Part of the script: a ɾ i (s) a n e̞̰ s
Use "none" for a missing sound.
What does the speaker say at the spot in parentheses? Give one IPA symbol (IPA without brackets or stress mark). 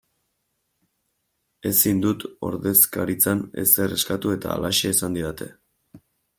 t͡s